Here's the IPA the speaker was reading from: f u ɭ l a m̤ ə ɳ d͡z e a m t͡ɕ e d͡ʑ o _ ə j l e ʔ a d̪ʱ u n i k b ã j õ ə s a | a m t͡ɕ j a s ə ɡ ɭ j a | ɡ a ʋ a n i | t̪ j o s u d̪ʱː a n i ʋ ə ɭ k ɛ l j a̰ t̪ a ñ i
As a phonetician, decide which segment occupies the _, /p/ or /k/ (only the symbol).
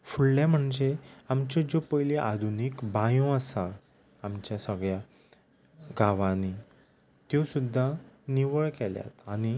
p